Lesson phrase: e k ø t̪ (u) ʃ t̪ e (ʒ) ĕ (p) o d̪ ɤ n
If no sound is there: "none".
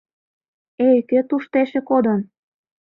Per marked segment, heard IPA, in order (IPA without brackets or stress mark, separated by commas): u, ʃ, k